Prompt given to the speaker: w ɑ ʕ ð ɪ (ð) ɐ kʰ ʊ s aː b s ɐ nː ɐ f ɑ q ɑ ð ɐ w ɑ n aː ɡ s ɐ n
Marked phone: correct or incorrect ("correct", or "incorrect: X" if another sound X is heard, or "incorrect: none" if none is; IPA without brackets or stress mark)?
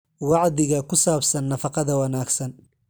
incorrect: ɣ